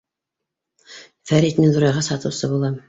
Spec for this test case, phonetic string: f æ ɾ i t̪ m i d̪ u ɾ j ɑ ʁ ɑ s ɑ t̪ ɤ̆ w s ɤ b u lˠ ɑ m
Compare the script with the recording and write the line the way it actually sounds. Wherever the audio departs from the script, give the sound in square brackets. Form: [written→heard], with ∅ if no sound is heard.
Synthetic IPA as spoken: f æ ɾ i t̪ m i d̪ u ɾ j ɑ ʁ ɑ s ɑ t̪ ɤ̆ w s ɤ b u lˠ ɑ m

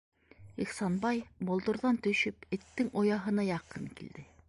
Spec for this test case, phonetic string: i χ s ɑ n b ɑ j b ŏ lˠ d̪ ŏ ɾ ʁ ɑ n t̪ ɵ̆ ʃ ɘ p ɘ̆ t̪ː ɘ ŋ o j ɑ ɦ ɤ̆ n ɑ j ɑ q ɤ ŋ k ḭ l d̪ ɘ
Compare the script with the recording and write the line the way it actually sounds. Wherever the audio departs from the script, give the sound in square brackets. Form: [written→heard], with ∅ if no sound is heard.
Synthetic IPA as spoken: i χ s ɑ n b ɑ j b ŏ lˠ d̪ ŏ ɾ [ʁ→ð] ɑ n t̪ ɵ̆ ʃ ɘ p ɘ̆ t̪ː ɘ ŋ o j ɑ ɦ ɤ̆ n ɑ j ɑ q ɤ ŋ k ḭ l d̪ ɘ

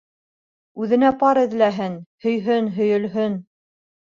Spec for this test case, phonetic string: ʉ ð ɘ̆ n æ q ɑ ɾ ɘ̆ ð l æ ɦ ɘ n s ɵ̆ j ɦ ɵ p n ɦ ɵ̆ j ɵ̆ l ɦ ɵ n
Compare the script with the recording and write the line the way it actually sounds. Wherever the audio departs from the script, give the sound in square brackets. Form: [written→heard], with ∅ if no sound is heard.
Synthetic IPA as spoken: ʉ ð ɘ̆ n æ [q→p] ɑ ɾ ɘ̆ ð l æ ɦ ɘ n [s→h] ɵ̆ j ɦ ɵ [p→∅] n ɦ ɵ̆ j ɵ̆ l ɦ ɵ n

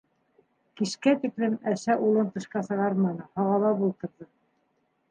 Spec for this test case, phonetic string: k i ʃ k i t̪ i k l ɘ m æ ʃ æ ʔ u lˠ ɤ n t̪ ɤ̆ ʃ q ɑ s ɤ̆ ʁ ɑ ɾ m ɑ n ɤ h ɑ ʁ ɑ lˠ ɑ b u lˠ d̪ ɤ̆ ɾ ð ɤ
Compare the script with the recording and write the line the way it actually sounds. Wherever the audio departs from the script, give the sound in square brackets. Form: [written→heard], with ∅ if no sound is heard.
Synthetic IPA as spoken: k i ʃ k [i→æ] t̪ i k l ɘ m æ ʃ æ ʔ u lˠ ɤ n t̪ ɤ̆ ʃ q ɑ s ɤ̆ ʁ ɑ ɾ m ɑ n ɤ h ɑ ʁ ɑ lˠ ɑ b u lˠ [d̪→t̪] ɤ̆ ɾ ð ɤ

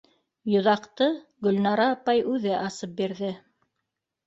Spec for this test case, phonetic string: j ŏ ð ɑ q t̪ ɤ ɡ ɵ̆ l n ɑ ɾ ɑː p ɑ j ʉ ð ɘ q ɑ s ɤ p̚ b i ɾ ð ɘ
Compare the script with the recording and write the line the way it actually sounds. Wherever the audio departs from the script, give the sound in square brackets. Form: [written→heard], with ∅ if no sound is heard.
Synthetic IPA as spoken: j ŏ ð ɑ q t̪ ɤ ɡ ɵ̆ l n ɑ ɾ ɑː p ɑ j ʉ ð ɘ [q→ʔ] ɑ s ɤ p̚ b i ɾ ð ɘ

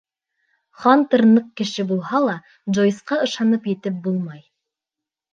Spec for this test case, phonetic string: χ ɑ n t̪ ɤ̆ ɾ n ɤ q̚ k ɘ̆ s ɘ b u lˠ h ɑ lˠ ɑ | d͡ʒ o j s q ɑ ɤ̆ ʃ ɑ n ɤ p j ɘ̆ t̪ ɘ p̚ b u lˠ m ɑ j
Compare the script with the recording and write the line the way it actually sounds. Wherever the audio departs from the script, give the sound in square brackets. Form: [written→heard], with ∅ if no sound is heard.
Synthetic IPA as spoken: χ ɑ n t̪ ɤ̆ ɾ n ɤ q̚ k ɘ̆ [s→ʃ] ɘ b u lˠ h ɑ lˠ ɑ | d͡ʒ o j s q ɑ ɤ̆ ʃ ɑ n ɤ p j ɘ̆ t̪ ɘ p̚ b u lˠ m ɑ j

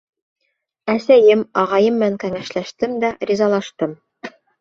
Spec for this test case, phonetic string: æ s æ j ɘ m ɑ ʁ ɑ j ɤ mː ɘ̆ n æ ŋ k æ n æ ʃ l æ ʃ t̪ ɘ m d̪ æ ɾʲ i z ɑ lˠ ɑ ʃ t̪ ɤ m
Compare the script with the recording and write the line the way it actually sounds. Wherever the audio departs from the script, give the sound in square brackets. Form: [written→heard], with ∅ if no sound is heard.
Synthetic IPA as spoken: æ s æ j ɘ m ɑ ʁ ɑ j ɤ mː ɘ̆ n æ ŋ k æ [n→ŋ] æ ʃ l æ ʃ t̪ ɘ m d̪ æ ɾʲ i z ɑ lˠ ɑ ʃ t̪ ɤ m

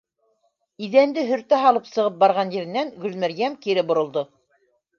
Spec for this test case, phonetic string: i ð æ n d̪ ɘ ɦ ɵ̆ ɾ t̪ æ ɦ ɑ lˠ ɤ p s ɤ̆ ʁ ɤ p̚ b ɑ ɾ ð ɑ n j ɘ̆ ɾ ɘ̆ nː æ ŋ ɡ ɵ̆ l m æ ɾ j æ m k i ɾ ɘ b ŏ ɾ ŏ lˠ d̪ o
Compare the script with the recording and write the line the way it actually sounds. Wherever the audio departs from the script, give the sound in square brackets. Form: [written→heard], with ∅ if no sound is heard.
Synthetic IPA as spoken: i ð æ n d̪ ɘ ɦ ɵ̆ ɾ t̪ æ ɦ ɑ lˠ ɤ p s ɤ̆ ʁ ɤ p̚ b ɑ ɾ [ð→ʁ] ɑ n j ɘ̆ ɾ ɘ̆ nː æ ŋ ɡ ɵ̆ l m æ ɾ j æ m k i ɾ ɘ b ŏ ɾ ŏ lˠ d̪ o

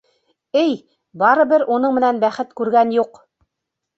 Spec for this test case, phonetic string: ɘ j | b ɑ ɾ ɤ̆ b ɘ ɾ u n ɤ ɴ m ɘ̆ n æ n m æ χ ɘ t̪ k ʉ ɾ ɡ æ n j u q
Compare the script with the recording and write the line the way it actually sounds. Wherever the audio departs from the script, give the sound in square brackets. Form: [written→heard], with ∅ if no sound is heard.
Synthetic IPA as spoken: ɘ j | b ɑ ɾ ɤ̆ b ɘ ɾ u n ɤ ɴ m ɘ̆ n æ n [m→b] æ χ ɘ t̪ k ʉ ɾ ɡ æ n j u q

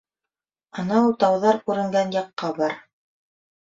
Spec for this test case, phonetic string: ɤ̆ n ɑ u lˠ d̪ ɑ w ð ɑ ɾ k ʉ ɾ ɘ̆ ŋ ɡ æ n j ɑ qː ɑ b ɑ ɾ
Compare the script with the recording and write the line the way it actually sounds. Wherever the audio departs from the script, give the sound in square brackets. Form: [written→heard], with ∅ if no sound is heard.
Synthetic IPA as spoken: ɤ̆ n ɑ u lˠ [d̪→t̪] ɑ w ð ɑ ɾ k ʉ ɾ ɘ̆ ŋ ɡ æ n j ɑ qː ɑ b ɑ ɾ

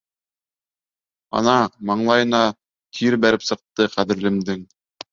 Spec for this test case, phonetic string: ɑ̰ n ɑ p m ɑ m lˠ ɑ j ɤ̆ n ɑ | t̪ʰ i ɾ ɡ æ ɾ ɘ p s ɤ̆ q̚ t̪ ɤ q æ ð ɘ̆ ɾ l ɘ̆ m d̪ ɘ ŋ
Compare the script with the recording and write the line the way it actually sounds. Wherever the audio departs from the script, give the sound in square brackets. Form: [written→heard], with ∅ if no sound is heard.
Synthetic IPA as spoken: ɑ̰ n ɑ [p→∅] m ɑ [m→ɴ] lˠ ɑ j ɤ̆ n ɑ | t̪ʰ i ɾ [ɡ→b] æ ɾ ɘ p s ɤ̆ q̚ t̪ ɤ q æ ð ɘ̆ ɾ l ɘ̆ m d̪ ɘ ŋ

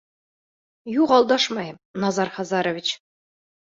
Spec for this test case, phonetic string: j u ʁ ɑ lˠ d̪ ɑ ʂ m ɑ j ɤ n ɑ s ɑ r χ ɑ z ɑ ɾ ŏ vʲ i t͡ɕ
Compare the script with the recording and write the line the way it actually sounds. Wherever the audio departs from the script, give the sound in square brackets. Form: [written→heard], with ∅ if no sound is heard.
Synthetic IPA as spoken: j u ʁ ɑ lˠ d̪ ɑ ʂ m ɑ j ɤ n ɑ [s→z] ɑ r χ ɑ z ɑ ɾ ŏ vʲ i t͡ɕ

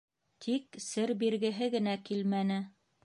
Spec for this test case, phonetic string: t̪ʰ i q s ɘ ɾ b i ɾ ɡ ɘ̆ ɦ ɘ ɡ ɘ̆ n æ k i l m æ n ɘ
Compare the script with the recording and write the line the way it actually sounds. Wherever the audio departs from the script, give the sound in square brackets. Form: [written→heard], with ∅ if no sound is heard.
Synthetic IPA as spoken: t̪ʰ i [q→k] s ɘ ɾ b i ɾ ɡ ɘ̆ ɦ ɘ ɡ ɘ̆ n æ k i l m æ n ɘ

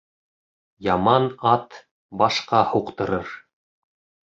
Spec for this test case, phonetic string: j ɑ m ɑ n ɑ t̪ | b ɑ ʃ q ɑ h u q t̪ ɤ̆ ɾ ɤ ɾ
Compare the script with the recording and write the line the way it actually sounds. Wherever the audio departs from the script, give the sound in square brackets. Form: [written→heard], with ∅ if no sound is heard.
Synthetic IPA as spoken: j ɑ m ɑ n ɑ t̪ | b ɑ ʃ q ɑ h u q t̪ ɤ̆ ɾ ɤ ɾ

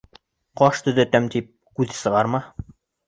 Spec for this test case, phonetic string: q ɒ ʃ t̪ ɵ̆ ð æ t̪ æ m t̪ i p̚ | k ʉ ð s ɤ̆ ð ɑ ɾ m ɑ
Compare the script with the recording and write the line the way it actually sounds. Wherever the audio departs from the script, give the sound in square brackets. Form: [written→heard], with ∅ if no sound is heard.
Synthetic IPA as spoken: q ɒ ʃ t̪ ɵ̆ ð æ t̪ æ m t̪ i p̚ | k ʉ ð s ɤ̆ [ð→ʁ] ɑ ɾ m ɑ

